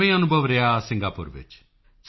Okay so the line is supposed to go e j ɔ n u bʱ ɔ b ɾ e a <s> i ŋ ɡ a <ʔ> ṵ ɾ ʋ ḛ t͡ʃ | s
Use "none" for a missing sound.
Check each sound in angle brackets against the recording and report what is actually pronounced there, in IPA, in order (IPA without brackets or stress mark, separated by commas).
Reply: s, p